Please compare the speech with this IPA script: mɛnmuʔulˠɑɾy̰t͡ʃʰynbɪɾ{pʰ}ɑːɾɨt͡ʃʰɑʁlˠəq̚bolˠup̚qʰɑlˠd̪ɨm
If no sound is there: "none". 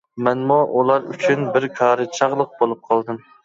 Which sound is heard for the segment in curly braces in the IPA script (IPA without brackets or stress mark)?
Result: kʰ